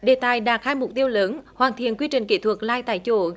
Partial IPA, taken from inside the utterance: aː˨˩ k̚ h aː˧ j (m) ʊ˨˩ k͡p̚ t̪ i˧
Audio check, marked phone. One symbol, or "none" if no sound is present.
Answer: m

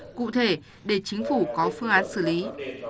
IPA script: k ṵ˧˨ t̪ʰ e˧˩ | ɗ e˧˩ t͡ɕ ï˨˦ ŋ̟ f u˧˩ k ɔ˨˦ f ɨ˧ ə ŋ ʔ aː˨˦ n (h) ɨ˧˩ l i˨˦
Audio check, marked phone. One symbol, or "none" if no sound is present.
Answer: s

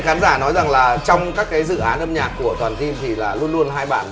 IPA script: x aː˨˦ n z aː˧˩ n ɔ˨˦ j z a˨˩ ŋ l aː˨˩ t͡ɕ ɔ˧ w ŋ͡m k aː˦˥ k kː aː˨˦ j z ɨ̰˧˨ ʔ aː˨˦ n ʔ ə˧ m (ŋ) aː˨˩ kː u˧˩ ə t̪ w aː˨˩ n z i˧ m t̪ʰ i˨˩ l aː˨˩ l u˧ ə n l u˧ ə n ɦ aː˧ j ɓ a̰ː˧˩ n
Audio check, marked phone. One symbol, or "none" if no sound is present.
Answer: ɲ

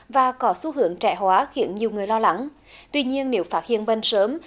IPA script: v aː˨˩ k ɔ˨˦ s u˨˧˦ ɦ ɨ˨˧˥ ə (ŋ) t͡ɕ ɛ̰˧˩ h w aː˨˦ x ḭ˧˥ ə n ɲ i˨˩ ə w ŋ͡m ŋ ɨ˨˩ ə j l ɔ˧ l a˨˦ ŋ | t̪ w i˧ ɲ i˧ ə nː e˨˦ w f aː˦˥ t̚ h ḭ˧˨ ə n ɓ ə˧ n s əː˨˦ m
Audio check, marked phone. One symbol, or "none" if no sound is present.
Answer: ŋ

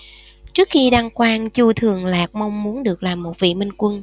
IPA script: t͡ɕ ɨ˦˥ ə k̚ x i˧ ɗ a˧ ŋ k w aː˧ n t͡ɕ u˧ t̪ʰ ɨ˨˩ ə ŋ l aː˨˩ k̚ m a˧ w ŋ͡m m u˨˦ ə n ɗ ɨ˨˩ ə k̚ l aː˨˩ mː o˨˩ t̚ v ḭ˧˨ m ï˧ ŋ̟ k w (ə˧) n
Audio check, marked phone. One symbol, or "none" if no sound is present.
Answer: ə˧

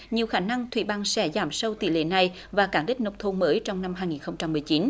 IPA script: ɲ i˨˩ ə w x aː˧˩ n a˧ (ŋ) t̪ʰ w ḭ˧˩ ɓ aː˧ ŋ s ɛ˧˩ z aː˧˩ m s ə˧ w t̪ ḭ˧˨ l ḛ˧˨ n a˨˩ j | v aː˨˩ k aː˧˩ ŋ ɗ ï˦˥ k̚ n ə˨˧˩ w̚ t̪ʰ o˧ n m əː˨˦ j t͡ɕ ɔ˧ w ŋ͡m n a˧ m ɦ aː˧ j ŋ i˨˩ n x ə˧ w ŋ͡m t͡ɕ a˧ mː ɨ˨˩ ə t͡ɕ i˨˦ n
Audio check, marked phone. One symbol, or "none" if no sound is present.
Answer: ŋ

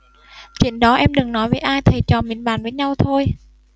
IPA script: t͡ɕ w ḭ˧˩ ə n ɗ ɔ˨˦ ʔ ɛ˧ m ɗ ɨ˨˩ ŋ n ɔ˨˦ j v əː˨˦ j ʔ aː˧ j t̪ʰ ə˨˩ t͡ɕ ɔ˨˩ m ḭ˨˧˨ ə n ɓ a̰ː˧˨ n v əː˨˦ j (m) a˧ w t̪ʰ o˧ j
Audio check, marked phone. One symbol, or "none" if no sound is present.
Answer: ɲ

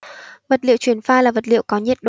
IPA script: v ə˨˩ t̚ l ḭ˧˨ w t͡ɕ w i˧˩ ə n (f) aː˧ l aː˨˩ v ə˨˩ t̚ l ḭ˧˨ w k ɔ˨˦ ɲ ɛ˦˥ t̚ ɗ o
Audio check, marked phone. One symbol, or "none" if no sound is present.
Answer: f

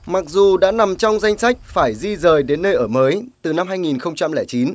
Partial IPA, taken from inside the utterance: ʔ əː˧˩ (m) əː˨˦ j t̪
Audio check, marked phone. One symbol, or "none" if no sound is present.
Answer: m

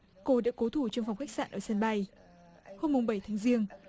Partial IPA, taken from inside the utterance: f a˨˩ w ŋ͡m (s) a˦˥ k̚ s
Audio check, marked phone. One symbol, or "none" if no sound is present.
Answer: x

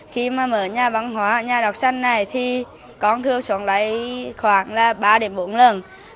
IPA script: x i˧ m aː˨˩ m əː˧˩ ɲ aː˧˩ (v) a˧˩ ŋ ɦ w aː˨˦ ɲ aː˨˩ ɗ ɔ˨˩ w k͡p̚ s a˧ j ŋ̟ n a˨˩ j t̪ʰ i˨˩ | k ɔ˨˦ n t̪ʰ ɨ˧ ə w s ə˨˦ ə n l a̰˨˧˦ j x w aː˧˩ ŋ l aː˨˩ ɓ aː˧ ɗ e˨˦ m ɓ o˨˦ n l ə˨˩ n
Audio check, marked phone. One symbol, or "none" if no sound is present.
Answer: v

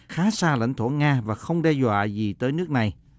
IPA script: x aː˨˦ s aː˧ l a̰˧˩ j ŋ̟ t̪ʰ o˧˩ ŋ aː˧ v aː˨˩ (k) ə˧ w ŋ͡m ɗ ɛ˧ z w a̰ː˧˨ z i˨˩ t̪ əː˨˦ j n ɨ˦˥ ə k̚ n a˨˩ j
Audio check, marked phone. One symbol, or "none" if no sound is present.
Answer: x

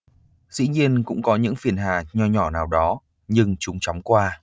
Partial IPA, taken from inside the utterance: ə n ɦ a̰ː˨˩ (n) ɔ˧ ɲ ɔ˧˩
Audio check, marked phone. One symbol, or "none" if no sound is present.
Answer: ɲ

